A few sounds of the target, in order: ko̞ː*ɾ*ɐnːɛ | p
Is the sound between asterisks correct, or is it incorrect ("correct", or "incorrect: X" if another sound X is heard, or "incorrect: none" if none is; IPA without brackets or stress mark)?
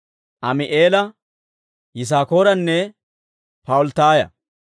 correct